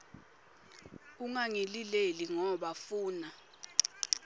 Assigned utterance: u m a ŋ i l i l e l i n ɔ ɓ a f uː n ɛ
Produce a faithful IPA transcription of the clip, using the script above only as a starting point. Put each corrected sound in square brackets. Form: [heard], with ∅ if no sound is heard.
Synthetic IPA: u [ŋ] a ŋ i l i l e l i [ŋ] ɔ ɓ a f uː n [a]